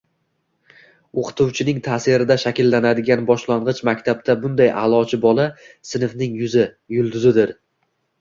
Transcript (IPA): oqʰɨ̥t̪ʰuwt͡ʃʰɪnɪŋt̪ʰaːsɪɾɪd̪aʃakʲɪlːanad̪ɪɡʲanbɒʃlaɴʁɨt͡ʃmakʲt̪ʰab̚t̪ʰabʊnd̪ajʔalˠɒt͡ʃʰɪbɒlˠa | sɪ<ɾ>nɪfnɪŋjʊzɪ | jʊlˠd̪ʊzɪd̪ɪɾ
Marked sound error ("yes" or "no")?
yes